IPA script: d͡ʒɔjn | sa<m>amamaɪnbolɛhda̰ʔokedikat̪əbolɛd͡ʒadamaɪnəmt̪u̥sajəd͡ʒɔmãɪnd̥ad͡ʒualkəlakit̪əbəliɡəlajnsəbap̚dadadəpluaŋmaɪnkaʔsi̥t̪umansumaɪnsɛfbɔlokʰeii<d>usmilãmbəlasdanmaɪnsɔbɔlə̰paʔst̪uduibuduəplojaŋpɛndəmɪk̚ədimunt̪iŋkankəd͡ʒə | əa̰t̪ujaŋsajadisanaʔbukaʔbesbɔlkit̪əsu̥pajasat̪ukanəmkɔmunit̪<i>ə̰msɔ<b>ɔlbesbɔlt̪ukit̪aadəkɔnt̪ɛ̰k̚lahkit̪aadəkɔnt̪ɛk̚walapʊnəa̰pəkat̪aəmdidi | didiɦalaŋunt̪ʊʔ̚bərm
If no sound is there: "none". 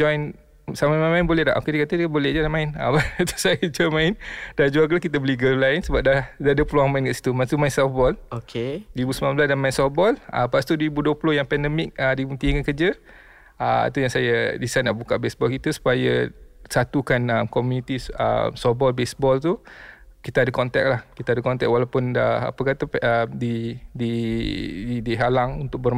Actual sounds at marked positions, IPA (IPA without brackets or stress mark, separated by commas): m, b, i, b